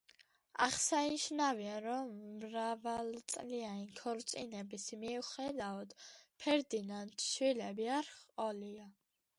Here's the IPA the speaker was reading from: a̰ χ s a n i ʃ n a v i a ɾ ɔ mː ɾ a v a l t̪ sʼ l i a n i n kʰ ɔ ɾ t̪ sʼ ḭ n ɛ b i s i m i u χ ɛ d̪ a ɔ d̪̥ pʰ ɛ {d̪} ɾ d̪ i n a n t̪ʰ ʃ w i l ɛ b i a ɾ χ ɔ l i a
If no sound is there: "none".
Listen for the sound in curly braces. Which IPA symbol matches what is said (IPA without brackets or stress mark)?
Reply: none